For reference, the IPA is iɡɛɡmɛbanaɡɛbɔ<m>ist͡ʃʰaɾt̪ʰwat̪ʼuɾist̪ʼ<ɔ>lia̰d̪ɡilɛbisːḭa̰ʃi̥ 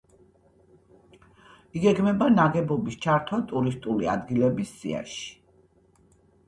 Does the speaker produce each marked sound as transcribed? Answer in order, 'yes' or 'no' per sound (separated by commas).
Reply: no, no